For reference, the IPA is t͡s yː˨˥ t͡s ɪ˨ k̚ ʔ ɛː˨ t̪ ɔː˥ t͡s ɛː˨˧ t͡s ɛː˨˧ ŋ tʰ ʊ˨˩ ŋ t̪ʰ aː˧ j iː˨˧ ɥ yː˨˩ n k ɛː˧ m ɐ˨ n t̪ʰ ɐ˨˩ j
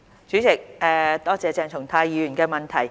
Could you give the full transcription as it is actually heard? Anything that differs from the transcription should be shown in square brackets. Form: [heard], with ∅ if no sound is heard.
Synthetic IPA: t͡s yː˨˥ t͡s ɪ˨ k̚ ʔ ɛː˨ t̪ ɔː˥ t͡s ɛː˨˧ t͡s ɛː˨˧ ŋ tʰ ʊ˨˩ ŋ t̪ʰ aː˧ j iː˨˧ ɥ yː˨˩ n k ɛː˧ m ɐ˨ n t̪ʰ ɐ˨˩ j